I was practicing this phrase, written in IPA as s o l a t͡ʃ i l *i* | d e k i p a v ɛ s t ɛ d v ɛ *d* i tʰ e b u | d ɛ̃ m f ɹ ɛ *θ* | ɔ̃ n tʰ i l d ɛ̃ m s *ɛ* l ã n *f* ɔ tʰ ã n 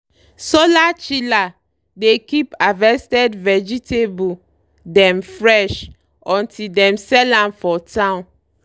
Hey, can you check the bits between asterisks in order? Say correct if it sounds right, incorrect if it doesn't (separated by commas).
incorrect, incorrect, incorrect, correct, correct